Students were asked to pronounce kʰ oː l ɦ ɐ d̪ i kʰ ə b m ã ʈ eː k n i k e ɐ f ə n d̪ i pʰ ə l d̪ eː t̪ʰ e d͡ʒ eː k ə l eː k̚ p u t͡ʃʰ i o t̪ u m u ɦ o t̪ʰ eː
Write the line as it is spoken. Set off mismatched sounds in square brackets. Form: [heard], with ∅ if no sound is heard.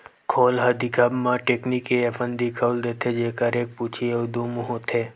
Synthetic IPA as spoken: kʰ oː l ɦ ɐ d̪ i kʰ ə b m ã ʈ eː k n i k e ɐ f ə n d̪ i [kʰ] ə l d̪ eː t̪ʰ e d͡ʒ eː k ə [ɾ] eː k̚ p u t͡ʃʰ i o [d̪] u m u ɦ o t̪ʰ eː

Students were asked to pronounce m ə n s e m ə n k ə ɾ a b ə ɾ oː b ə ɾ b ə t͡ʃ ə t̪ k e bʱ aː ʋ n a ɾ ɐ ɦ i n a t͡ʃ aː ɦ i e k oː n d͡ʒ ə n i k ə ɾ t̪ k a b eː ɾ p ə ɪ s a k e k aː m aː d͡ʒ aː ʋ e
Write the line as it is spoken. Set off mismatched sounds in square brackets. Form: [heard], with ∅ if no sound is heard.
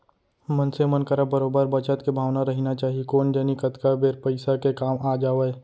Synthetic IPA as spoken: m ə n s e m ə n k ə ɾ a b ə ɾ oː b ə ɾ b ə t͡ʃ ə t̪ k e bʱ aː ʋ n a ɾ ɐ ɦ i n a t͡ʃ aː ɦ i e k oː n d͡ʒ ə n i k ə [∅] t̪ k a b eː ɾ p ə ɪ s a k e k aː m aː d͡ʒ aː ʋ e

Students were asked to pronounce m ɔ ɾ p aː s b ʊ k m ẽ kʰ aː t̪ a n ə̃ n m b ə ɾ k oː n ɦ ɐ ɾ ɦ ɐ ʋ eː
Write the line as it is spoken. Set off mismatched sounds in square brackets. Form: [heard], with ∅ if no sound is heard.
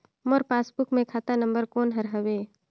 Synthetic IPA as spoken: m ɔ ɾ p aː s b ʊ k m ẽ kʰ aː t̪ a n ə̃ [∅] m b ə ɾ k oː n ɦ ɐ ɾ ɦ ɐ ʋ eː

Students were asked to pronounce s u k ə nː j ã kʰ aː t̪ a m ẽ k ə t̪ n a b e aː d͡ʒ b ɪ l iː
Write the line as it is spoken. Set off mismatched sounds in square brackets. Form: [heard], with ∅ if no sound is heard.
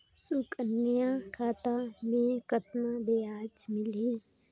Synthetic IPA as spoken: s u k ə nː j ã kʰ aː t̪ a m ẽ k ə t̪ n a b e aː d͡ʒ [m] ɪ l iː

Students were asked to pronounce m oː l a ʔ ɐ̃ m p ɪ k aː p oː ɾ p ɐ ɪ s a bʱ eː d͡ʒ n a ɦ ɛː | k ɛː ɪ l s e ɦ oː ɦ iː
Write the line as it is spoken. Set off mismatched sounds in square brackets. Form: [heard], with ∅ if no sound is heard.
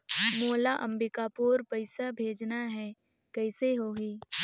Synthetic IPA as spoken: m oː l a ʔ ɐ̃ m [b] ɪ k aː p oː ɾ p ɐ ɪ s a bʱ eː d͡ʒ n a ɦ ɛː | k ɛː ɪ [∅] s e ɦ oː ɦ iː

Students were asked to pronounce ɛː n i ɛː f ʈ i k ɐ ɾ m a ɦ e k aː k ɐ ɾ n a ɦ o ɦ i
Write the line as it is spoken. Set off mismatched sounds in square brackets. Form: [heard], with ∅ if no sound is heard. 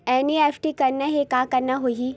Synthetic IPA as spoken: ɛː n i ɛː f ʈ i k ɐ ɾ [n] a ɦ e k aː k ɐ ɾ n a ɦ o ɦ i

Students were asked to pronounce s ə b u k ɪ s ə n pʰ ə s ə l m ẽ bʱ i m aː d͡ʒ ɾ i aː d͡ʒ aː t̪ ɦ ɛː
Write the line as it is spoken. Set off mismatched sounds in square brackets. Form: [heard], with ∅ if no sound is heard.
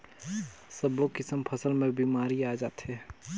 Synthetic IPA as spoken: s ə b [o] k ɪ s ə [m] pʰ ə s ə l m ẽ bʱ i m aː [∅] ɾ i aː d͡ʒ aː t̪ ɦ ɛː

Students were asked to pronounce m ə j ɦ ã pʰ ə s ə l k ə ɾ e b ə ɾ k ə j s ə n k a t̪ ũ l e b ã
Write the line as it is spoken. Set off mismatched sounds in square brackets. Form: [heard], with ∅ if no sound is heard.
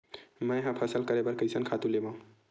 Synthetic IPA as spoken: m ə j ɦ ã pʰ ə s ə l k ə ɾ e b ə ɾ k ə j s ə n [kʰ] a t̪ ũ l e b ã

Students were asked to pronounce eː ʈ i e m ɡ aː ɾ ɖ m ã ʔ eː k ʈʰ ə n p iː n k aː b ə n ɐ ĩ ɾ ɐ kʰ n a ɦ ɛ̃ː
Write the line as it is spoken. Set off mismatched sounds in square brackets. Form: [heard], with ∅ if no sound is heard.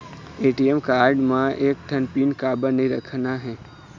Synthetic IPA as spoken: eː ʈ i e m [k] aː ɾ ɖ m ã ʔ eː k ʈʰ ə n p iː n k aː b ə n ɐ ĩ ɾ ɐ kʰ n a ɦ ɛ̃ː

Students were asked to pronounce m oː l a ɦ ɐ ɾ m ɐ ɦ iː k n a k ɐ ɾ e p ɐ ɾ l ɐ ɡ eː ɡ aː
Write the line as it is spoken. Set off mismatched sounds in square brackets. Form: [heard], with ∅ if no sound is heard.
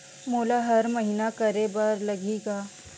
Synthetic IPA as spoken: m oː l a ɦ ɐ ɾ m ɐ ɦ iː [∅] n a k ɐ ɾ e [b] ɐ ɾ l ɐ ɡ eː ɡ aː

